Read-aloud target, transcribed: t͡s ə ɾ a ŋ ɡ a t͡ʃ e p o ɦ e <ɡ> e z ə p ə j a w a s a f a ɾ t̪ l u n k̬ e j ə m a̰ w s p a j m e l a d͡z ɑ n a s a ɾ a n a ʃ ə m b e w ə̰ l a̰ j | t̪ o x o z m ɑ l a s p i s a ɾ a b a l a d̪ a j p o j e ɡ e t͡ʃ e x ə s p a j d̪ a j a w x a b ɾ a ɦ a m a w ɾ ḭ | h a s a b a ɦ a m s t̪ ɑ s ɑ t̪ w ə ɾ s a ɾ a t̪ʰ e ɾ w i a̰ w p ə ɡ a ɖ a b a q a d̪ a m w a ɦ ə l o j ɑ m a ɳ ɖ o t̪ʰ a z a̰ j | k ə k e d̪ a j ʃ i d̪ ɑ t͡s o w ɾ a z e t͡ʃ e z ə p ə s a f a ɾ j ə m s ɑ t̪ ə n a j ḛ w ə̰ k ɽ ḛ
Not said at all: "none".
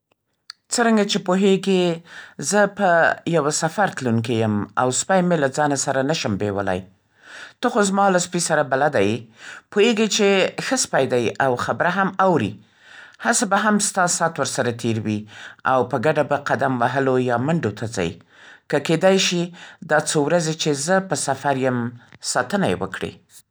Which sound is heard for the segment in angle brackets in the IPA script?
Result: ɡ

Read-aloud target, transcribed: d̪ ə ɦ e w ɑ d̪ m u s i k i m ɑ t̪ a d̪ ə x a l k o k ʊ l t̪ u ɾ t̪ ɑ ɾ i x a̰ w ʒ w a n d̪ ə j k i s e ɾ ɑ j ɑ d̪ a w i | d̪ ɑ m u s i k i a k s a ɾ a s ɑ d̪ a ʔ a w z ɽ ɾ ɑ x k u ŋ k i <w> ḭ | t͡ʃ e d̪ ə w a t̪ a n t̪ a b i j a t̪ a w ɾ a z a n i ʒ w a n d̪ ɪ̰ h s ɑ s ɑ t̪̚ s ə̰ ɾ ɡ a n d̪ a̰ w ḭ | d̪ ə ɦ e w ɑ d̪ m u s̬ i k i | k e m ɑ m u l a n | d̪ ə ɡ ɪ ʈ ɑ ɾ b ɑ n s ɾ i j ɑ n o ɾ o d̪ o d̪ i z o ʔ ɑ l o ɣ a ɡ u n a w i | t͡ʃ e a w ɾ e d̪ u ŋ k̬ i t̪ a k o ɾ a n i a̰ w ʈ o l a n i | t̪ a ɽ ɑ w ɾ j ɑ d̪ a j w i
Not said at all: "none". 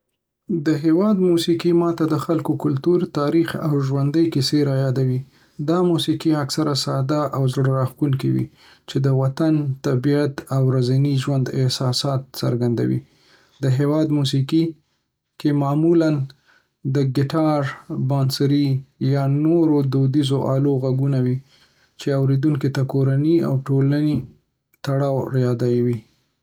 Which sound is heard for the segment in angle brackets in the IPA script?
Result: w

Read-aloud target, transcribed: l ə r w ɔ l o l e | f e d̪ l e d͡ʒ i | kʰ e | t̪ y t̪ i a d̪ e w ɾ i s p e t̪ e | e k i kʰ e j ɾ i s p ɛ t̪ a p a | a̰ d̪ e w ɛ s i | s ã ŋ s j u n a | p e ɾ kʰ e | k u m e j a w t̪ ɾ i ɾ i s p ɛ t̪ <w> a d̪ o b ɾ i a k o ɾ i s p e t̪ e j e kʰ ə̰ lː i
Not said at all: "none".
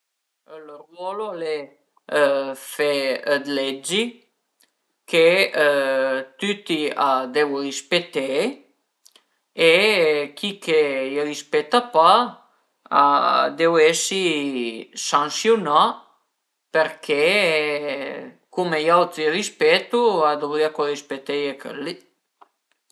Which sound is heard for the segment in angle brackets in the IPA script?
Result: u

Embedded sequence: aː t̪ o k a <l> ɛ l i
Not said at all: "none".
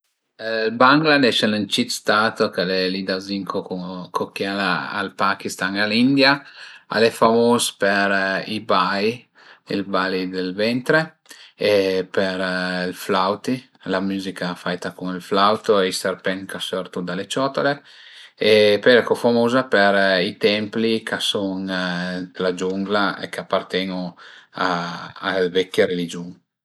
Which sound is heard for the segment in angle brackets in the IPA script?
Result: l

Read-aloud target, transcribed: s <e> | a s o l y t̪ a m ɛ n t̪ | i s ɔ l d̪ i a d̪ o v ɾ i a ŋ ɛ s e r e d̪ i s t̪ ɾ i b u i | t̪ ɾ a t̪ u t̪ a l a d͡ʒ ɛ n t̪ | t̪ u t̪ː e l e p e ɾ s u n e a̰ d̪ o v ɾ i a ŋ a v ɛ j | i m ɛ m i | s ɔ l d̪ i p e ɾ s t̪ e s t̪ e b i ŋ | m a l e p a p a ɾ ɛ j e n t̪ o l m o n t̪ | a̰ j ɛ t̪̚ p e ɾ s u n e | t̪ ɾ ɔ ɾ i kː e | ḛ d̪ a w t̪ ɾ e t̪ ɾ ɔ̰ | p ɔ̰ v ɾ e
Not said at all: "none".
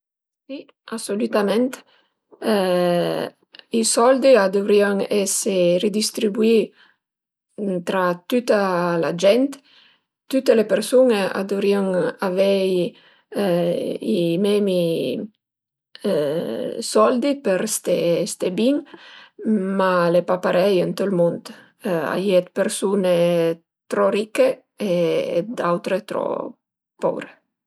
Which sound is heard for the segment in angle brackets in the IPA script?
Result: i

